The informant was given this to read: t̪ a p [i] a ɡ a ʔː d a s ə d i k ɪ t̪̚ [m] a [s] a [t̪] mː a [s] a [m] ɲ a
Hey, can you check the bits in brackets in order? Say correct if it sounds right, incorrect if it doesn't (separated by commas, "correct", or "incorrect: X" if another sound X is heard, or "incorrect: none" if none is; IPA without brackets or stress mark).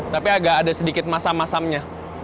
correct, correct, correct, incorrect: none, correct, correct